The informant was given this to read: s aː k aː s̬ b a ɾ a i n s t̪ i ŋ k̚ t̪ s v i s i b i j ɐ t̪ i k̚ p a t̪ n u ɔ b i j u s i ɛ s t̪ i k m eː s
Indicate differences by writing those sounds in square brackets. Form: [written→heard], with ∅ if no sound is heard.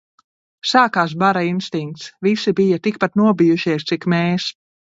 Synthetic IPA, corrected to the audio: s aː k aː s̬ b a ɾ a i n s t̪ i ŋ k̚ t̪ s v i s i b i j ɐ t̪ i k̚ p a t̪ n u ɔ b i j u [s→ʃ] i ɛ s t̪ i k m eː s